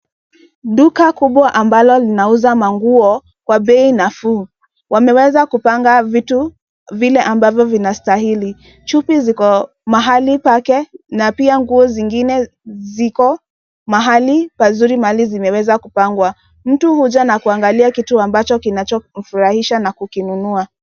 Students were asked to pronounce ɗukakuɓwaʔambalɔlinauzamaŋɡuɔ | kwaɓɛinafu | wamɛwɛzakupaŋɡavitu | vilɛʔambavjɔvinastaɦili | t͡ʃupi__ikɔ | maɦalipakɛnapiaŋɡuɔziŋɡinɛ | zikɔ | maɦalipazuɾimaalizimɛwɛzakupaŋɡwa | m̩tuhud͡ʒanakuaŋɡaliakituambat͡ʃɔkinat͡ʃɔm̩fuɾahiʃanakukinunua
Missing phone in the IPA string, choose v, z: z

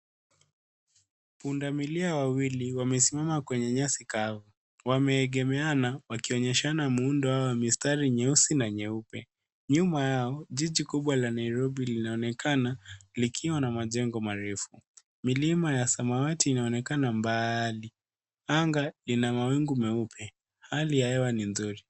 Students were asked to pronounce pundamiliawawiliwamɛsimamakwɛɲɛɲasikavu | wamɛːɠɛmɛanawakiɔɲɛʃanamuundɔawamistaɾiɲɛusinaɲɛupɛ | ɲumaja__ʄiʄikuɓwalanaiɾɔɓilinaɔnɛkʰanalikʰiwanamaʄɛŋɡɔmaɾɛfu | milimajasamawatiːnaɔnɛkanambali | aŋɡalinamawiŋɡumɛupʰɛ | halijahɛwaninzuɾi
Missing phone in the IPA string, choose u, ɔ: ɔ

